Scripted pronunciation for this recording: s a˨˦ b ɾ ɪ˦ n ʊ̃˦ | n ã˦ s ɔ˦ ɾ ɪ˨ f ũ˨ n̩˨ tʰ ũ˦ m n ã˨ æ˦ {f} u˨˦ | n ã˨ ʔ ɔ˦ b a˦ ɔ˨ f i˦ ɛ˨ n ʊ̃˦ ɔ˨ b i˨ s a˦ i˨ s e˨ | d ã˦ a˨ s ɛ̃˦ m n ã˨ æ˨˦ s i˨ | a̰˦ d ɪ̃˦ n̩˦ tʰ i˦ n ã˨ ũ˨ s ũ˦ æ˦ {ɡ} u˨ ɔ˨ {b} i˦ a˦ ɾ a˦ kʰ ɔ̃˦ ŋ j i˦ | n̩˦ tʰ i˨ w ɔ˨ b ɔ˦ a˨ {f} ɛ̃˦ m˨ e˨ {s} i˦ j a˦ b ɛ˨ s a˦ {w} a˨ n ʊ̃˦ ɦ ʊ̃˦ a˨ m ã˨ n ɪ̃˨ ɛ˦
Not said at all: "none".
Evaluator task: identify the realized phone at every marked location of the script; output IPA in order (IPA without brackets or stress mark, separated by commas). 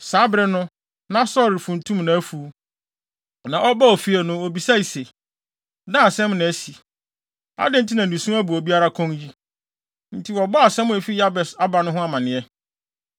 f, b, b, s, f, b